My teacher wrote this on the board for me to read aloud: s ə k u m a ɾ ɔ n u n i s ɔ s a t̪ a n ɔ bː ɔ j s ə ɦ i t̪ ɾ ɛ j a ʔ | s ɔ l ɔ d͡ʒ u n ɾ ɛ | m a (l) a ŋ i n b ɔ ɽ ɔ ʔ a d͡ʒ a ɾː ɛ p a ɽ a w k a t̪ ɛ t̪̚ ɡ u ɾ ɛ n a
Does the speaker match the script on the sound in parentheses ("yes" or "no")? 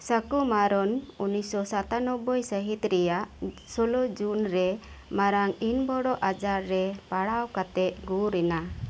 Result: no